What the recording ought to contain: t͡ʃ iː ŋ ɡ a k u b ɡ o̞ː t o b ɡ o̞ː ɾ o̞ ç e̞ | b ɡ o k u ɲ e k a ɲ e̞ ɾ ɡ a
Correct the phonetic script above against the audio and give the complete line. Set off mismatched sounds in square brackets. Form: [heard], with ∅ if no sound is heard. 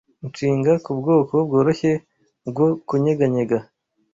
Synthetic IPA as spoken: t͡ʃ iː ŋ ɡ a k u b ɡ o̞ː [k] o b ɡ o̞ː ɾ o̞ ç e̞ | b ɡ o k u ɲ e [ɡ] a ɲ e̞ [∅] ɡ a

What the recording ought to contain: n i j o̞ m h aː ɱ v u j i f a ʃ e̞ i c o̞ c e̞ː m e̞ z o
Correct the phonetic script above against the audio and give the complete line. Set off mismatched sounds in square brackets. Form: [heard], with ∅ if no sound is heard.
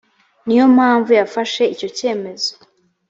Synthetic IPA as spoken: n i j o̞ m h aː ɱ v u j [a] f a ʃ e̞ i c o̞ c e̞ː m e̞ z o

